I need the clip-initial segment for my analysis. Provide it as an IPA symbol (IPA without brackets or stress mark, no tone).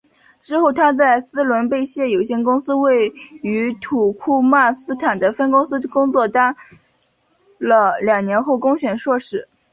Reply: ʈ͡ʂ